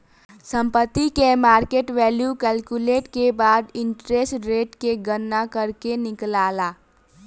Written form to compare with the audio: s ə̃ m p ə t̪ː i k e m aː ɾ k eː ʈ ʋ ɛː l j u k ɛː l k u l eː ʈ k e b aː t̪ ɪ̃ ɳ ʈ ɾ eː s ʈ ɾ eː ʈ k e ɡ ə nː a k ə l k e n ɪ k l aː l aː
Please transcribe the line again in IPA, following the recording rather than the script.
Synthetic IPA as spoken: s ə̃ m p ə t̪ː i k e m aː ɾ k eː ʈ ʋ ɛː l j u k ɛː l k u l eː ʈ k e b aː d̪ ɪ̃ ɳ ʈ ɾ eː s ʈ ɾ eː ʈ k e ɡ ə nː a k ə ɾ k e n ɪ k l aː l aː